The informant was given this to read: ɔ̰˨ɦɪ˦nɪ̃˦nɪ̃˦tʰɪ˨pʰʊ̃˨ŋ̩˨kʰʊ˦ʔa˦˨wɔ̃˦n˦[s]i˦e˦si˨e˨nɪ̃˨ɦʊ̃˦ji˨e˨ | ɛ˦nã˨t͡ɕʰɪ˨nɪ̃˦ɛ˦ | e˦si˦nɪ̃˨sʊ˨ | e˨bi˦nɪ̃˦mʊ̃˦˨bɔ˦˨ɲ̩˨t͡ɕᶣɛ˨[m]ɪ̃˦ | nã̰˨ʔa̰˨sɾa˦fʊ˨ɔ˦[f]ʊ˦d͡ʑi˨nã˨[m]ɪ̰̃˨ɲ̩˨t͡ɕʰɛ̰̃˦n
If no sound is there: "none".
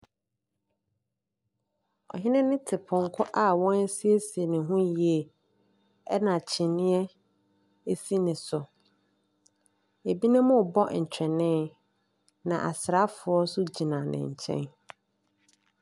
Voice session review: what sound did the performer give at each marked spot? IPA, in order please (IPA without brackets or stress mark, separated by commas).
s, n, s, n